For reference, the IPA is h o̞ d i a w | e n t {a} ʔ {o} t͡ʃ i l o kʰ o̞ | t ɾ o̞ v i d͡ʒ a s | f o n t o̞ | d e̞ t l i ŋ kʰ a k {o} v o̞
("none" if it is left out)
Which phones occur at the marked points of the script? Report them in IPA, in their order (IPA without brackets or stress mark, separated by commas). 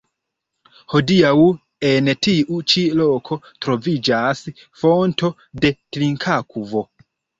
i, u, u